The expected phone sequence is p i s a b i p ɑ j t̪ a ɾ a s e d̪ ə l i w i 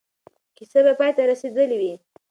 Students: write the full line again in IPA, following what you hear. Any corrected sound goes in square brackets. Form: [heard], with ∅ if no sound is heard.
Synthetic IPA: [k] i s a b [a] p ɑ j t̪ a ɾ a s e d̪ ə l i w i